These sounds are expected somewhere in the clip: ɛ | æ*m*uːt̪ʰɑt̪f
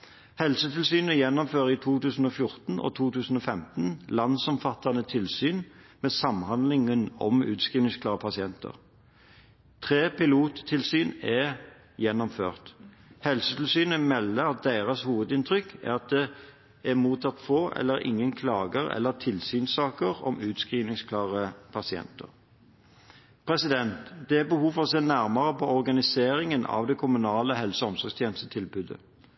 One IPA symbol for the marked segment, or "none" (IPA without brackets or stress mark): m